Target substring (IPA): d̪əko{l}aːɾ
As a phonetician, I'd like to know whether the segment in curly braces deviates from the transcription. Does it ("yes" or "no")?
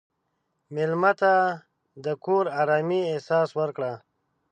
yes